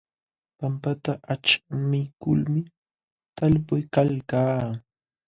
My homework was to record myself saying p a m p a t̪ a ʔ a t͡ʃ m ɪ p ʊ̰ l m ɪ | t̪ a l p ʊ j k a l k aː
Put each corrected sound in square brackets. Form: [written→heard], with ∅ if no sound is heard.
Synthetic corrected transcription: p a m p a t̪ a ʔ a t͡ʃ m ɪ [p→k] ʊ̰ l m ɪ | t̪ a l p ʊ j k a l k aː

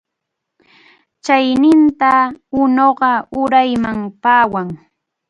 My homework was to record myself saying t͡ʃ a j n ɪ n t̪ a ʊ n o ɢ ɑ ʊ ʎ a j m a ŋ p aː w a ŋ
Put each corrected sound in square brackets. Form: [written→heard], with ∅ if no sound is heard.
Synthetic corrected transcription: t͡ʃ a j n ɪ n t̪ a ʊ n o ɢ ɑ ʊ [ʎ→ɾ] a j m a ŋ p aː w a ŋ

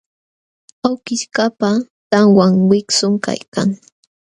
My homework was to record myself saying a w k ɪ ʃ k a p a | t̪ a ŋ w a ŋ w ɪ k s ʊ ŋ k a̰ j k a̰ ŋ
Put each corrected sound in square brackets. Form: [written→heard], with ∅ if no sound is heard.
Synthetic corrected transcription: a w k ɪ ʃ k a p a | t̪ a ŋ w a ŋ w ɪ k s ʊ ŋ k a̰ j k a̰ ŋ

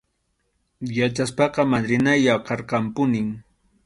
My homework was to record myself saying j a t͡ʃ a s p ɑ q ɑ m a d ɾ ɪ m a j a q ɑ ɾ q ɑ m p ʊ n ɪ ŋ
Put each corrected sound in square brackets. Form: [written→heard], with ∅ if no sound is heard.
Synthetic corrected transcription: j a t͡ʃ a s p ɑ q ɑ m a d ɾ ɪ [m→n] a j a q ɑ ɾ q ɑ m p ʊ n ɪ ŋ

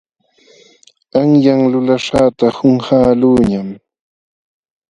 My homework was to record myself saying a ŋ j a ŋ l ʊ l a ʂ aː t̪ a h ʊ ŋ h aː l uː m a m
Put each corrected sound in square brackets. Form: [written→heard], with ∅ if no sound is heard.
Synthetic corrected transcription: a ŋ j a ŋ l ʊ l a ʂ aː t̪ a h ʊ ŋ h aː l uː [m→ɲ] a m

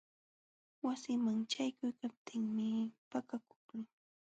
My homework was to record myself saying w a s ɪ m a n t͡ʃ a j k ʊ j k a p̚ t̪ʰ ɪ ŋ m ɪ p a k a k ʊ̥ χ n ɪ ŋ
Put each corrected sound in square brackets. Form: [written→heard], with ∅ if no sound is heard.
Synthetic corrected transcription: w a s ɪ m a [n→ŋ] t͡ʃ a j k ʊ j k a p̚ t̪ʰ ɪ ŋ m ɪ p a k a k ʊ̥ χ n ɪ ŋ

